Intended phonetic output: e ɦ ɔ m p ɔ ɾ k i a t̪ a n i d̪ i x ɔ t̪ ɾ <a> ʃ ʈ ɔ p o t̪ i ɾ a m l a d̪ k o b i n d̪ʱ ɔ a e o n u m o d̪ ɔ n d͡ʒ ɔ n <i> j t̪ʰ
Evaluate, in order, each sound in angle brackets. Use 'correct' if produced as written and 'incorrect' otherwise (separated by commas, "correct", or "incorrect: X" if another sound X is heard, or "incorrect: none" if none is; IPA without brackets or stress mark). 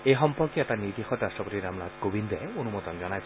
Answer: correct, incorrect: a